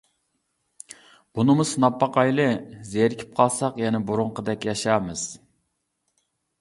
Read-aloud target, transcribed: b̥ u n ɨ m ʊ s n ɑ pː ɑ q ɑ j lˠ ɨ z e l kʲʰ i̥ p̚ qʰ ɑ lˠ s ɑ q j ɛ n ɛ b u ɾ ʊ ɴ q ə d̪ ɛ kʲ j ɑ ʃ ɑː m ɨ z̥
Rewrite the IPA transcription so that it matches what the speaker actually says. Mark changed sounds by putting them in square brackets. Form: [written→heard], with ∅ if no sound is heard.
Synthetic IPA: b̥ u n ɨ m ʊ s n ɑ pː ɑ q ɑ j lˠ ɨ z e [l→ɾ] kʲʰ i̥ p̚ qʰ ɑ lˠ s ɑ q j ɛ n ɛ b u ɾ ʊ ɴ q ə d̪ ɛ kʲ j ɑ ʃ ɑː m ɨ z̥